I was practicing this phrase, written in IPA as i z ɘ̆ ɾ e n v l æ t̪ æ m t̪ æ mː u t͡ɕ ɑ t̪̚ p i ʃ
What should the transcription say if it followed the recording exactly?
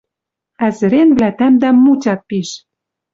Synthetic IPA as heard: æ z ɘ̆ ɾ e n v l æ t̪ æ m d̪ æ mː u t͡ɕ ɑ t̪̚ p i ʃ